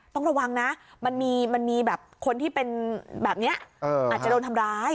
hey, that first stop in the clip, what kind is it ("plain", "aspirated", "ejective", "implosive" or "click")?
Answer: plain